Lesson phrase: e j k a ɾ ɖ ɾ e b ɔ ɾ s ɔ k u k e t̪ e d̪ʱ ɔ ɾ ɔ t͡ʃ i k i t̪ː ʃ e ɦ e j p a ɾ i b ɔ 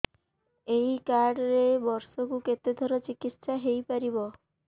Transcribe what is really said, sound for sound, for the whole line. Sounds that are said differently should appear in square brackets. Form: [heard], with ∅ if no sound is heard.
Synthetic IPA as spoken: e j k a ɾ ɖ ɾ e b ɔ ɾ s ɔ k u k e t̪ e d̪ʱ ɔ ɾ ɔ t͡ʃ i k i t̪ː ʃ [a] ɦ e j p a ɾ i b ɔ